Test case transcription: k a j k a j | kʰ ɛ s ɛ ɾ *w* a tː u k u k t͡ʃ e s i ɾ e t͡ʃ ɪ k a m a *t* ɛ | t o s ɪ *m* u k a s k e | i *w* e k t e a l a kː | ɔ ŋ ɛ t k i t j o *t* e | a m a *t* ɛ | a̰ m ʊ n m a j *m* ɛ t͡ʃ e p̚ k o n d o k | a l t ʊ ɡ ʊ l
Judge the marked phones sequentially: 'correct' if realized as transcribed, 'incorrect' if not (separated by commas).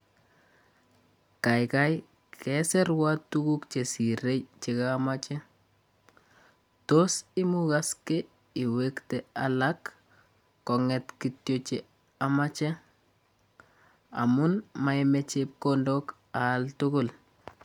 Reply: correct, incorrect, correct, correct, incorrect, incorrect, correct